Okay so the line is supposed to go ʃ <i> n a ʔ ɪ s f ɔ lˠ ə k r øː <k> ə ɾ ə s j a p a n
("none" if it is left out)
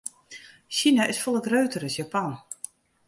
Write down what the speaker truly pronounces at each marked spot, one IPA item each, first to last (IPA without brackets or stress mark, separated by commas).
i, t